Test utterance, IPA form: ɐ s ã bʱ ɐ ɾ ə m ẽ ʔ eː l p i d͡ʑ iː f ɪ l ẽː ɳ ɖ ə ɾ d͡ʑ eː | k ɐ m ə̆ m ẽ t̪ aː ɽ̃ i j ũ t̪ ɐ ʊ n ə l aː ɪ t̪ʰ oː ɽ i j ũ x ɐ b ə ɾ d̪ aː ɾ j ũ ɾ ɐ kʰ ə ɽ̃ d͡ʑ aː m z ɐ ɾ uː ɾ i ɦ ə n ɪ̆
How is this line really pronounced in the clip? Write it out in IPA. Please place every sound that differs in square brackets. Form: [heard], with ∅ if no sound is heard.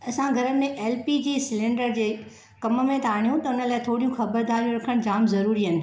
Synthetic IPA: ɐ s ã [ɡʱ] ɐ ɾ ə m ẽ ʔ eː l p i d͡ʑ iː [s] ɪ l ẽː ɳ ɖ ə ɾ d͡ʑ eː | k ɐ m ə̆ m ẽ t̪ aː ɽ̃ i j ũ t̪ ɐ ʊ n ə l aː ɪ t̪ʰ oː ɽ i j ũ x ɐ b ə ɾ d̪ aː ɾ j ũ ɾ ɐ kʰ ə ɽ̃ d͡ʑ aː m z ɐ ɾ uː ɾ i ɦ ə n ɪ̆